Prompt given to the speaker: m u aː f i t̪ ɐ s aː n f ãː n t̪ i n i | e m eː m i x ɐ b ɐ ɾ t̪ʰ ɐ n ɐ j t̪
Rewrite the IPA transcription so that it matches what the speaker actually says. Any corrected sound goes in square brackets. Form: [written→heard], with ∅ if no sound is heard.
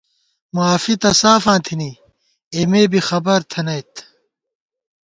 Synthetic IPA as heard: m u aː f i t̪ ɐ s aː [n→∅] f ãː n [t̪→t̪ʰ] i n i | e m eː [m→b] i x ɐ b ɐ ɾ t̪ʰ ɐ n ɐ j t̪